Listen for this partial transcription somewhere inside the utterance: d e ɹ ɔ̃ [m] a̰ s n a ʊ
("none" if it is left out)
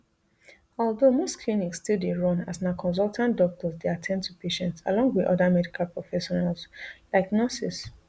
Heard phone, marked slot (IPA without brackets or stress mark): n